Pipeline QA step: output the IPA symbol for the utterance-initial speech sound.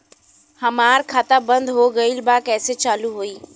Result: h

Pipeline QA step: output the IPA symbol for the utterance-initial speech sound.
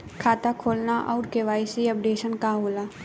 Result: kʰ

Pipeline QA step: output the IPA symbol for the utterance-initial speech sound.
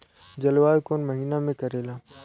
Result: d͡ʒ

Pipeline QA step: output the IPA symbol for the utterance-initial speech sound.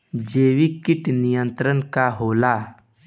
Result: d͡ʒ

